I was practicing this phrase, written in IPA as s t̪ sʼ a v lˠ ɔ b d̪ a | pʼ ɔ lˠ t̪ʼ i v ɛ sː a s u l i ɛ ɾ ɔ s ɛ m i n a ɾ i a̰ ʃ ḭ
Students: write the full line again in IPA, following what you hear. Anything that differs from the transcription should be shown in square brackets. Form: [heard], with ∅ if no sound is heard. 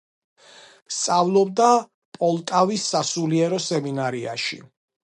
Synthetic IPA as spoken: s t̪ sʼ a v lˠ ɔ b d̪ a | pʼ ɔ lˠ t̪ʼ [a] v [i] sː a s u l i ɛ ɾ ɔ s ɛ m i n a ɾ i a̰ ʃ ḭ